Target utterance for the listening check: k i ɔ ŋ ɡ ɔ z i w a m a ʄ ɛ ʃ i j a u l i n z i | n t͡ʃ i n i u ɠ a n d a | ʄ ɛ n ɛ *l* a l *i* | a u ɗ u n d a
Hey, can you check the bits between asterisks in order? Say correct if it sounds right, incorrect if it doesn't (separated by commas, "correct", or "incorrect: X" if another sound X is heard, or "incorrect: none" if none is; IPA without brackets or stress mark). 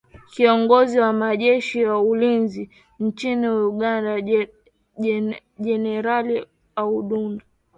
incorrect: ɾ, correct